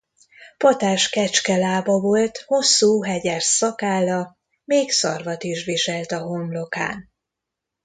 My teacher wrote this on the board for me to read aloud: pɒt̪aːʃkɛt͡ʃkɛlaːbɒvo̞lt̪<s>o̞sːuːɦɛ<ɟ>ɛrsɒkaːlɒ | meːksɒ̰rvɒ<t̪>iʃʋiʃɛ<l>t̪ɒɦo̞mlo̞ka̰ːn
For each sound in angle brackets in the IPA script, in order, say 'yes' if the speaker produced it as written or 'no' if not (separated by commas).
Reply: no, yes, yes, yes